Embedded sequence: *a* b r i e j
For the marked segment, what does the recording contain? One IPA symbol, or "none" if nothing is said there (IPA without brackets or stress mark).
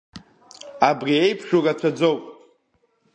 a